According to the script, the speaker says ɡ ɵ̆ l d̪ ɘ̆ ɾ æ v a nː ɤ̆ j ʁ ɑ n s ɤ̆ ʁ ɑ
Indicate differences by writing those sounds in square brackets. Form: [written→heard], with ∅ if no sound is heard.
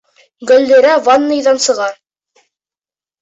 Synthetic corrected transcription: ɡ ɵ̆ l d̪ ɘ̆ ɾ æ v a nː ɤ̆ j [ʁ→ð] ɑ n s ɤ̆ ʁ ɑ

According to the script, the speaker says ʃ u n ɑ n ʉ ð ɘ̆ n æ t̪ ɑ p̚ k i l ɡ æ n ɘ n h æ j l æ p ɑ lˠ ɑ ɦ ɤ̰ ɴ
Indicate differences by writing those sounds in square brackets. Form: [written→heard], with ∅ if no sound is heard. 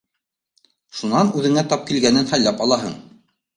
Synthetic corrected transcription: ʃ u n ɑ n ʉ ð ɘ̆ [n→ŋ] æ t̪ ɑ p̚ k i l ɡ æ n ɘ n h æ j l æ p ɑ lˠ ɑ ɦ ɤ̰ ɴ

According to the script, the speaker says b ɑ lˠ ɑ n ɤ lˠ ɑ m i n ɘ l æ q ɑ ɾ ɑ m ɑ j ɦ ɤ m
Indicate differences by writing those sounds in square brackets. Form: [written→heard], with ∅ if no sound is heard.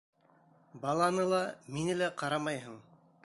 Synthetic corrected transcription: b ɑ lˠ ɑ n ɤ lˠ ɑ m i n ɘ l æ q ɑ ɾ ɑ m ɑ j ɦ ɤ [m→ɴ]

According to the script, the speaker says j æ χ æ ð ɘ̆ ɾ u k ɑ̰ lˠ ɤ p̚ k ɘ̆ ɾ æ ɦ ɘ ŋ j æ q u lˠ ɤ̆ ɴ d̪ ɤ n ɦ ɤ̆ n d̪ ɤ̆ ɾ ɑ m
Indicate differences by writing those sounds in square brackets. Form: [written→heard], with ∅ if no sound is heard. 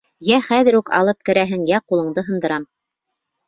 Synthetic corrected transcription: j æ χ æ ð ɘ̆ ɾ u k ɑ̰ lˠ ɤ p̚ k ɘ̆ ɾ æ ɦ ɘ ŋ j æ q u lˠ ɤ̆ ɴ d̪ ɤ [n→∅] ɦ ɤ̆ n d̪ ɤ̆ ɾ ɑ m

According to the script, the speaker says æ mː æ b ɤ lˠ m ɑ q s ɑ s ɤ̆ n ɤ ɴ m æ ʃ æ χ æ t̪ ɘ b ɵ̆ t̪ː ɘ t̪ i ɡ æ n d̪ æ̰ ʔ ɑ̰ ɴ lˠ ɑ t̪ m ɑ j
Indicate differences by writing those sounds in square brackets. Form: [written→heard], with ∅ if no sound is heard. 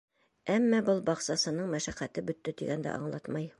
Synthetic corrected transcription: æ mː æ b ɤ lˠ [m→b] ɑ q s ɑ s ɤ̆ n ɤ ɴ m æ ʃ æ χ æ t̪ ɘ b ɵ̆ t̪ː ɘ t̪ i ɡ æ n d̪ æ̰ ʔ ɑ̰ ɴ lˠ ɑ t̪ m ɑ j

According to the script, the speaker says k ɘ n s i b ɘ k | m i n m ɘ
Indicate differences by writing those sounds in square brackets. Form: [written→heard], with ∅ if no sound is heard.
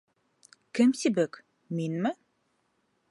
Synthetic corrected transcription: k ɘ [n→m] s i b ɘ k | m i n m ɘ

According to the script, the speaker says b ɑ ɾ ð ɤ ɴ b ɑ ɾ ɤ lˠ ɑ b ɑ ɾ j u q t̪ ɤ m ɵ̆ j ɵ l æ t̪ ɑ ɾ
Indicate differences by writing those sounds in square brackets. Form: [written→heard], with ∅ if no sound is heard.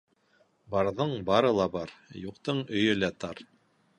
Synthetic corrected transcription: b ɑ ɾ ð ɤ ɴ b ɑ ɾ ɤ lˠ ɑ b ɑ ɾ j u q t̪ ɤ [m→ɴ] ɵ̆ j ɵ l æ t̪ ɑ ɾ

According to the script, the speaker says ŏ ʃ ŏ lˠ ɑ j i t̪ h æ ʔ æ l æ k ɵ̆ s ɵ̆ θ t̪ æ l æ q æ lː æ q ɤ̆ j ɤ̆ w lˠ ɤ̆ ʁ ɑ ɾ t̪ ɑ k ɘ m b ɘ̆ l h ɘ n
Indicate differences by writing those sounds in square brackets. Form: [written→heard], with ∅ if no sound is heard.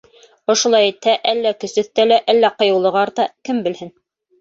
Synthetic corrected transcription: ŏ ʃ ŏ lˠ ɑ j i t̪ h æ ʔ æ [l→lː] æ k ɵ̆ s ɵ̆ θ t̪ æ l æ [q→ʔ] æ lː æ q ɤ̆ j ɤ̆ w lˠ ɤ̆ ʁ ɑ ɾ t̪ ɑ k ɘ m b ɘ̆ l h ɘ n

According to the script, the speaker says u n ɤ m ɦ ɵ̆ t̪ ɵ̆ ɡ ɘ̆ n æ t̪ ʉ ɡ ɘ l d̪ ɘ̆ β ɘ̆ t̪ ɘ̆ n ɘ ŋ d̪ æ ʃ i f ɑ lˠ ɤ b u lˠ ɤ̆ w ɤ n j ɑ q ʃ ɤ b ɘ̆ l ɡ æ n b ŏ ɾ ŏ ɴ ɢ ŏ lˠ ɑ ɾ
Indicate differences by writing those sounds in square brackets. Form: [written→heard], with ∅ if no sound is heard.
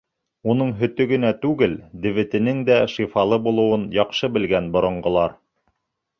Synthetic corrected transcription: u n ɤ [m→ɴ] ɦ ɵ̆ t̪ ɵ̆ ɡ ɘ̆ n æ t̪ ʉ ɡ ɘ l d̪ ɘ̆ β ɘ̆ t̪ ɘ̆ n ɘ ŋ d̪ æ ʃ i f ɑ lˠ ɤ b u lˠ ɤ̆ w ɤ n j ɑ q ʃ ɤ b ɘ̆ l ɡ æ n b ŏ ɾ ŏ ɴ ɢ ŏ lˠ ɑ ɾ

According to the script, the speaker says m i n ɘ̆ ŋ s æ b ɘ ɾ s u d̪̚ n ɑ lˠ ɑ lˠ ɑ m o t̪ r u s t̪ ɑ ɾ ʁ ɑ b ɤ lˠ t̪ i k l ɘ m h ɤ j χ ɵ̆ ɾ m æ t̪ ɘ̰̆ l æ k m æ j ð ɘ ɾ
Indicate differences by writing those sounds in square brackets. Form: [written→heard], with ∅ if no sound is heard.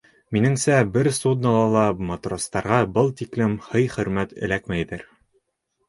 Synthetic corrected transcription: m i n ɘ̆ ŋ s æ b ɘ ɾ s u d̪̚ n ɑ lˠ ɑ lˠ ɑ m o t̪ r [u→o] s t̪ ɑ ɾ ʁ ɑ b ɤ lˠ t̪ i k l ɘ m h ɤ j χ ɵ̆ ɾ m æ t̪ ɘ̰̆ l æ k m æ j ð ɘ ɾ

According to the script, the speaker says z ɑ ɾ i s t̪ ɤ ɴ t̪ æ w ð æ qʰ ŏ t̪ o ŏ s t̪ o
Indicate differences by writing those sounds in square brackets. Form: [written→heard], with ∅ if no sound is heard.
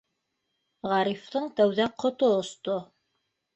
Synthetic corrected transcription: [z→ʁ] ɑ ɾ i [s→f] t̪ ɤ ɴ t̪ æ w ð æ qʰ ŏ t̪ o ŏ s t̪ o

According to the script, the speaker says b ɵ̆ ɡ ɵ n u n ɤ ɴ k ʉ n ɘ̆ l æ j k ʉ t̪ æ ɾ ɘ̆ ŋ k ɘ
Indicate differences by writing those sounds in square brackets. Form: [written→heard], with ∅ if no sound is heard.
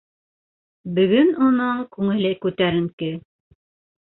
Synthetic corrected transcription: b ɵ̆ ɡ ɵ n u n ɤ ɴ k ʉ [n→ŋ] ɘ̆ l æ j k ʉ t̪ æ ɾ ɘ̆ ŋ k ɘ

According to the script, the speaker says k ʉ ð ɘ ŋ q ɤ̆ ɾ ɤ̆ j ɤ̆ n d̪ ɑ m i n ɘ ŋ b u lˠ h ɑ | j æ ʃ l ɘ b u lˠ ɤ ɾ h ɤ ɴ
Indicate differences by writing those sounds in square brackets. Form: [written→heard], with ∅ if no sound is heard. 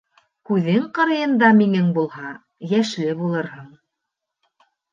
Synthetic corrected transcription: k ʉ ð ɘ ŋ q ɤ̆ ɾ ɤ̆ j ɤ̆ n d̪ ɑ m i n ɘ ŋ b u lˠ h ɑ | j æ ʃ l ɘ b u lˠ ɤ ɾ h ɤ ɴ

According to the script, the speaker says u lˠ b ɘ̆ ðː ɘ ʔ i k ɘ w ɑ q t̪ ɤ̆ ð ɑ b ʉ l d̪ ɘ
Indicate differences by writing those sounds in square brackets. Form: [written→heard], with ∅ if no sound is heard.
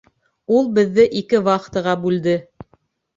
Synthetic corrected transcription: u lˠ b ɘ̆ ðː ɘ ʔ i k ɘ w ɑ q t̪ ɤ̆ [ð→ʁ] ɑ b ʉ l d̪ ɘ

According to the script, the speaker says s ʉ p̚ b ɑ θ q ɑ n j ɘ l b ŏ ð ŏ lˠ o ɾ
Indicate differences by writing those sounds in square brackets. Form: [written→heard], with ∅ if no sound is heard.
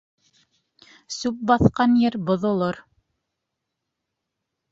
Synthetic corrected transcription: s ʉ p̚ b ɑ θ q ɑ n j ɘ [l→ɾ] b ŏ ð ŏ lˠ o ɾ

